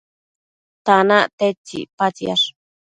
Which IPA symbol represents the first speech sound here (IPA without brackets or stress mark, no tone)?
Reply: t̪